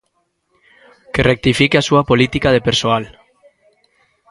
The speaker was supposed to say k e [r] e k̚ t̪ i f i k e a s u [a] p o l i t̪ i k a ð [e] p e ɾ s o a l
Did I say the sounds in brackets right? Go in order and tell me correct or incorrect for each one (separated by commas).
correct, correct, correct